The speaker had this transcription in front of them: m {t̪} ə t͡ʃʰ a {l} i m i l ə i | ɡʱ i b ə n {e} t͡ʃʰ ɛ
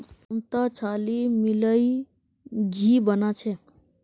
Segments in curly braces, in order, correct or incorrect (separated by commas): correct, correct, incorrect